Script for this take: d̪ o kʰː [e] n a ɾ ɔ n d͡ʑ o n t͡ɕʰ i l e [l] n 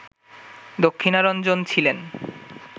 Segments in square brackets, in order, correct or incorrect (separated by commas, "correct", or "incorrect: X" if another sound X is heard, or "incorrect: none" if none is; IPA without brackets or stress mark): incorrect: i, incorrect: none